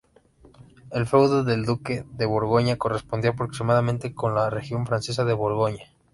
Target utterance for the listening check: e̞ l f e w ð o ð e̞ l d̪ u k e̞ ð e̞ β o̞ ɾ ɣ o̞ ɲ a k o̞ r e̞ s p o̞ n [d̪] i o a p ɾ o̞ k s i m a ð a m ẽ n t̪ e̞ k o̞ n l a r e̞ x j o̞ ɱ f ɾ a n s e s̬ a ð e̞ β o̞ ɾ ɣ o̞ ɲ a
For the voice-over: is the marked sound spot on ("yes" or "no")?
yes